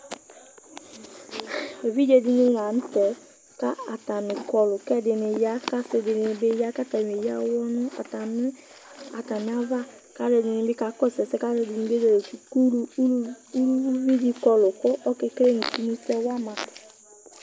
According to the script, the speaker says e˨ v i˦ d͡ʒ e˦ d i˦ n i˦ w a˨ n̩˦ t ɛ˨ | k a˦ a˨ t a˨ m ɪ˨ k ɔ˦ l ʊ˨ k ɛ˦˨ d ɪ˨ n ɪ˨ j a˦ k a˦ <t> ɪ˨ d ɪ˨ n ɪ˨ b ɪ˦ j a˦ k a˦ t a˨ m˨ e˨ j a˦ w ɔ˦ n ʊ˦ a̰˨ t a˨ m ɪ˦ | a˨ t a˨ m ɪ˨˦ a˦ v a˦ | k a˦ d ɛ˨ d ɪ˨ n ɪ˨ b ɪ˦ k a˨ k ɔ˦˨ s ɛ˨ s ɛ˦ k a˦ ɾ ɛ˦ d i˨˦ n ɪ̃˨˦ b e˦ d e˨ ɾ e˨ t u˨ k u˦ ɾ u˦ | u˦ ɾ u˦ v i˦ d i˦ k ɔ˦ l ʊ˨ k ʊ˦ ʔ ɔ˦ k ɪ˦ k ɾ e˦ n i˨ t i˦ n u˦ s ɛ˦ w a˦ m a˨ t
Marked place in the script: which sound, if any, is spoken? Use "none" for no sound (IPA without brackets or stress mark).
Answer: s